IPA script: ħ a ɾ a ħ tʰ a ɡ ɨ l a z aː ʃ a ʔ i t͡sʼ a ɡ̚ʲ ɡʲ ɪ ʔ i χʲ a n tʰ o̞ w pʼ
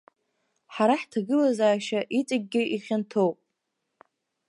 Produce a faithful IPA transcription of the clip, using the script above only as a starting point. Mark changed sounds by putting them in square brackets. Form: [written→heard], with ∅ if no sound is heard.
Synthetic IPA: ħ a ɾ a ħ tʰ a ɡ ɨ l a z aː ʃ a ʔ i t͡sʼ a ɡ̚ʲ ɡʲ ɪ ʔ i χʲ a n tʰ o̞ w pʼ